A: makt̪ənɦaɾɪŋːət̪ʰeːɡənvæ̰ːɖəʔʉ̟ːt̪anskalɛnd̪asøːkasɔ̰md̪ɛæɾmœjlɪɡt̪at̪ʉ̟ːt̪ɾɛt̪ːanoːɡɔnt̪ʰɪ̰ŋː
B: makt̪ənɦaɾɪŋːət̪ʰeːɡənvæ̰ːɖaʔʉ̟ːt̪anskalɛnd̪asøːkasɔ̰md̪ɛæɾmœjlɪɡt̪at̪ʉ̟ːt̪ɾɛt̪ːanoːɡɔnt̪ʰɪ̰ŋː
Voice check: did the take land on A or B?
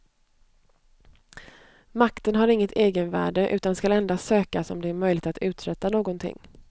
A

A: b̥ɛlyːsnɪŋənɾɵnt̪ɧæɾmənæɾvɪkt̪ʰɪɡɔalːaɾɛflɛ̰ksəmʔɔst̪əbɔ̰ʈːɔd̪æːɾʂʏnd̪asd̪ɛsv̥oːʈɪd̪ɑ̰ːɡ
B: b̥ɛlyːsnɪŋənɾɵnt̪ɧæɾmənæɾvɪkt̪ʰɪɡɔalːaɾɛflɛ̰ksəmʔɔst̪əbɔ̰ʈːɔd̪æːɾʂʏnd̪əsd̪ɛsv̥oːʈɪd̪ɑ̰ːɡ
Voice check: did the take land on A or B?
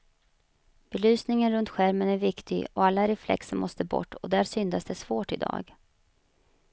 A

